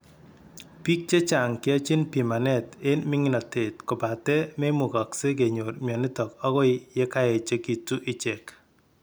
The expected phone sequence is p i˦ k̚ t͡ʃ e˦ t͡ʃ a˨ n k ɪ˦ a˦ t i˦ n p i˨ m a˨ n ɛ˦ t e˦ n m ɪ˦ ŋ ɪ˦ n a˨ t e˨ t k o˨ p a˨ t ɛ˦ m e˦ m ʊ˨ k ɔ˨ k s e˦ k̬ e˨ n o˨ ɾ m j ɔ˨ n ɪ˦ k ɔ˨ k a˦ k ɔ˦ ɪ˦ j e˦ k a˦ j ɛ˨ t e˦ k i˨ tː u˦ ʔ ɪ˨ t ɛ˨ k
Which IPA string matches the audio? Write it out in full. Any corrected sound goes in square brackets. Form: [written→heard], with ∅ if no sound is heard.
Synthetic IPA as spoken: p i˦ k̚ t͡ʃ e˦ t͡ʃ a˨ [n→ŋ] k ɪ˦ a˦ [t→t͡ʃ] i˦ n p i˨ m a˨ n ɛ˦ t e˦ n m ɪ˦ ŋ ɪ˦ n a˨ t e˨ t k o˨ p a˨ t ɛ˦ m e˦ m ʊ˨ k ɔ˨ k s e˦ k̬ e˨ [n→ɲ] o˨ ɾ m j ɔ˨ n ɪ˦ [k→t] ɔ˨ k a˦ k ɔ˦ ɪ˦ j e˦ k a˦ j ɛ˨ [t→t͡ʃ] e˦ k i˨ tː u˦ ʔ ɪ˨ [t→t͡ʃ] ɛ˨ k